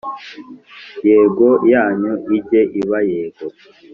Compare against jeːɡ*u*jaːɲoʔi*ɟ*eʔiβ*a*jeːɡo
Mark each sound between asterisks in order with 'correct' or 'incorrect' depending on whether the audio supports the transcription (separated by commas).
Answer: incorrect, correct, correct